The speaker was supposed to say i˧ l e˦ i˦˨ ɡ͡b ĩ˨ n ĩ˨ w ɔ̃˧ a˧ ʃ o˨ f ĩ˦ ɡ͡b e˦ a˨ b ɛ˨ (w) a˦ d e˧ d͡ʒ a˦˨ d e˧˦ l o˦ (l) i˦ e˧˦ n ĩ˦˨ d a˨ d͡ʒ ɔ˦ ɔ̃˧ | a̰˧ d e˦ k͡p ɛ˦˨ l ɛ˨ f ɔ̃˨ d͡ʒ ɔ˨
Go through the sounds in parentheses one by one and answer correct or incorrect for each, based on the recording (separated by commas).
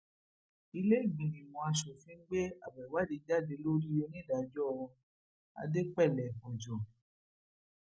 correct, incorrect